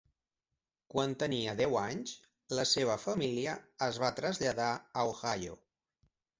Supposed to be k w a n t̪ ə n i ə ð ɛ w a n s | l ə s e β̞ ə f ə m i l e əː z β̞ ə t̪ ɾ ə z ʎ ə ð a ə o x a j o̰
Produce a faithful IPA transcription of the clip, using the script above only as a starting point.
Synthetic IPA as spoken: k w a n t̪ ə n i ə ð ɛ w a ɲ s | l ə s e β̞ ə f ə m i l i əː z β̞ a t̪ ɾ ə z ʎ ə ð a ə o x a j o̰